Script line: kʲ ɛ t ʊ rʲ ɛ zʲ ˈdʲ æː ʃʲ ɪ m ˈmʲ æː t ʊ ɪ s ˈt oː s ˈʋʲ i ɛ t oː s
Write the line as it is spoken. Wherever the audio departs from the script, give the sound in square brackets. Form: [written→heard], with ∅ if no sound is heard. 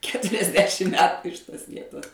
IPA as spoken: kʲ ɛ t ʊ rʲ ɛ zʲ ˈdʲ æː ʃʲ ɪ m ˈmʲ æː t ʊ ɪ [s→ʃ] ˈt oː s ˈʋʲ i ɛ t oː s